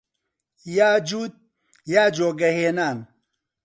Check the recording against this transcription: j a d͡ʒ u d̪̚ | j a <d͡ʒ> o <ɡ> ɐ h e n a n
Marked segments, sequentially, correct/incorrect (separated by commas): correct, correct